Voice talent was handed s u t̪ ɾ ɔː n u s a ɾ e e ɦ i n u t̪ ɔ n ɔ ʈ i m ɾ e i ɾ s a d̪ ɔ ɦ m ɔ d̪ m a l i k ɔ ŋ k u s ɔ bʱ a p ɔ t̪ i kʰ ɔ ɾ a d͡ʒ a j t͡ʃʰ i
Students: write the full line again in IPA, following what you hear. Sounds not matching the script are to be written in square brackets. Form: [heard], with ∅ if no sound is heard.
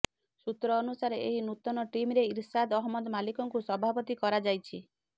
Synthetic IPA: s u t̪ ɾ ɔː n u s a ɾ e e ɦ i n u t̪ ɔ n ɔ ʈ i m ɾ e i ɾ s a d̪ ɔ ɦ m ɔ d̪ m a l i k ɔ ŋ k u s ɔ bʱ a p ɔ t̪ i [k] ɔ ɾ a d͡ʒ a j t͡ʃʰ i